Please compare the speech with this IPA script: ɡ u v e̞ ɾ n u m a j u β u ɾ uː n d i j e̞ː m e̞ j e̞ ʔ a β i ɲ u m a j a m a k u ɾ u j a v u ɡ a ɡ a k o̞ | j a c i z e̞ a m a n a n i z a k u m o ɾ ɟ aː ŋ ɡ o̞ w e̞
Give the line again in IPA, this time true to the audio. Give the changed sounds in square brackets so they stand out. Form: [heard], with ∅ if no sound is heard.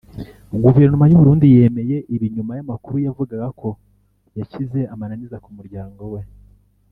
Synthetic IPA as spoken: ɡ u v e̞ ɾ n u m a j u β u ɾ uː n d i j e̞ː m e̞ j e̞ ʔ [i] β i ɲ u m a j a m a k u ɾ u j a v u ɡ a ɡ a k o̞ | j a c i z e̞ a m a n a n i z a k u m [u] ɾ ɟ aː ŋ ɡ o̞ w e̞